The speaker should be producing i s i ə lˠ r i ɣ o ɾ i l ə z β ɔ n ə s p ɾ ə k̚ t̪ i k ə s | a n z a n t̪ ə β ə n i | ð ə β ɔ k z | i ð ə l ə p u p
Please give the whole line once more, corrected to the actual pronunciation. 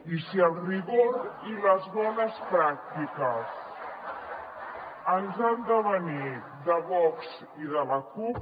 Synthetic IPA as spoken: i s i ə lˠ r i ɣ o ɾ i l ə z β ɔ n ə s p ɾ a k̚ t̪ i k ə s | ə n z a n d̪ ə β ə n i | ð ə β ɔ k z | i ð ə l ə k u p

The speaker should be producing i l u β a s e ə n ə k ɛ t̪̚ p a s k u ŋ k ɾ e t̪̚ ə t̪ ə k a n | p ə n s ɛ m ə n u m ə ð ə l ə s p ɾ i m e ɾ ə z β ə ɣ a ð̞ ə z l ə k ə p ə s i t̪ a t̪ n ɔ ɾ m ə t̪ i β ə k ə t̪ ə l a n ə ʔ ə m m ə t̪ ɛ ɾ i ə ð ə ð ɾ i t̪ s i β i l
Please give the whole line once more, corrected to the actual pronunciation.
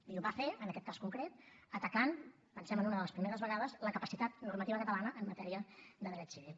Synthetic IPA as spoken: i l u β a f e ə n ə k ɛ t̪̚ k a s k u ŋ k ɾ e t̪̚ ə t̪ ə k a n | p ə n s ɛ m ə n u n ə ð ə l ə s p ɾ i m e ɾ ə z β ə ɣ a ð̞ ə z l ə k ə p ə s i t̪ a t̪ n u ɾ m ə t̪ i β ə k ə t̪ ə l a n ə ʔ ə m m ə t̪ ɛ ɾ i ə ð ə ð ɾ ɛ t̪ s i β i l

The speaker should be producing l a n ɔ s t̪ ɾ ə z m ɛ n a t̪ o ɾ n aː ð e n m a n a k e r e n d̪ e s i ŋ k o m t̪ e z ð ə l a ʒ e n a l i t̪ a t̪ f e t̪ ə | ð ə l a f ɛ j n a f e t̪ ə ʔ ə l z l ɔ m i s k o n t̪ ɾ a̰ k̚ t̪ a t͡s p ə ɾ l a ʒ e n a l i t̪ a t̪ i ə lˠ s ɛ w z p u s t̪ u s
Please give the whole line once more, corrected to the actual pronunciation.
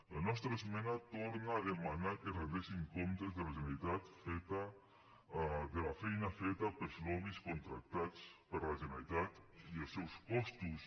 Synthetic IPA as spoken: l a n ɔ s t̪ ɾ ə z m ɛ n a t̪ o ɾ n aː ð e m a n a k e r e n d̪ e s i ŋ k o m t̪ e z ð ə l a ʒ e n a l i t̪ a t̪ f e t̪ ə | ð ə l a f ɛ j n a f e t̪ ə p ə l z l ɔ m i s k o n t̪ ɾ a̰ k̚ t̪ a t͡s p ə ɾ l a ʒ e n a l i t̪ a t̪ i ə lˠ s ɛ w s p ɔ s t̪ u s

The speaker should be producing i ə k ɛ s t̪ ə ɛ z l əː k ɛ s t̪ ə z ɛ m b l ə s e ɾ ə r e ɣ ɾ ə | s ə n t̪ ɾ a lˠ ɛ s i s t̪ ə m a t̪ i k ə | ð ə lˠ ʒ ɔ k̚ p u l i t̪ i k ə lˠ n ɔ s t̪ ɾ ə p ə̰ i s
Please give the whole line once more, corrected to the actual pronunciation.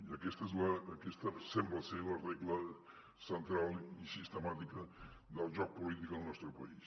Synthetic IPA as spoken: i ə k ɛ s t̪ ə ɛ z l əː k ɛ s t̪ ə s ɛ m b l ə s e l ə r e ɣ l ə | s ə n t̪ ɾ a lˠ i s i s t̪ ə m a t̪ i k ə | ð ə lˠ ʒ ɔ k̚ p u l i t̪ i k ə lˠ n ɔ s t̪ ɾ ə p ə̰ i s

